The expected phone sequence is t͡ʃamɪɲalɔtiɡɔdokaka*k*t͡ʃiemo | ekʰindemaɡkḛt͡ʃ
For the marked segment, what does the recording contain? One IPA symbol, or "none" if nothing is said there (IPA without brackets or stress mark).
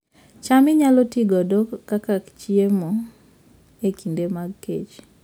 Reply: k